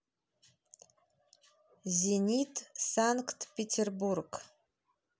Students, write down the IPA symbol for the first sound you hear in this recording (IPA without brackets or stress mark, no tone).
z